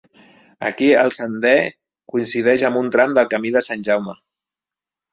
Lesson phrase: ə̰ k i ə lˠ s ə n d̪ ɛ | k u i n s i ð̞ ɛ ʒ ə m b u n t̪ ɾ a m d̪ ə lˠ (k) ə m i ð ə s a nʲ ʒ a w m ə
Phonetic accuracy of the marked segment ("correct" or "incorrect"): correct